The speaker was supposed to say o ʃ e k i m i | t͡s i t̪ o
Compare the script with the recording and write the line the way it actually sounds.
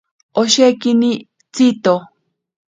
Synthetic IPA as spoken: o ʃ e k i n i | t͡s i t̪ o